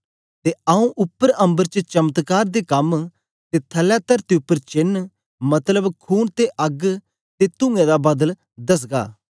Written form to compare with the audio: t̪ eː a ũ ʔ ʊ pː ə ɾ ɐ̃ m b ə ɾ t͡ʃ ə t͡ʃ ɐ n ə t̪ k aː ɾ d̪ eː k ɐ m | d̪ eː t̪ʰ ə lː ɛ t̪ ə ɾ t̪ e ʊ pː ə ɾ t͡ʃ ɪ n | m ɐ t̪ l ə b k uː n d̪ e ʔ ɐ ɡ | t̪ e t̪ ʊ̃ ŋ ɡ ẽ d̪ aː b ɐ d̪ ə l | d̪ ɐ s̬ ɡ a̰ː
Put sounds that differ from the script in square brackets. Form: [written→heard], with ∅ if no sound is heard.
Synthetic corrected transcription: t̪ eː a ũ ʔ ʊ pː ə ɾ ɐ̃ m b ə ɾ t͡ʃ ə t͡ʃ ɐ [n→m] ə t̪ k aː ɾ d̪ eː k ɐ m | [d̪→t̪] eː t̪ʰ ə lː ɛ t̪ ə ɾ t̪ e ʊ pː ə ɾ t͡ʃ ɪ n | m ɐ t̪ l ə b [k→kʰ] uː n [d̪→t̪] e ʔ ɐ ɡ | t̪ e t̪ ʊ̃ ŋ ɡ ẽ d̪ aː b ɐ d̪ ə l | d̪ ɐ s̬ ɡ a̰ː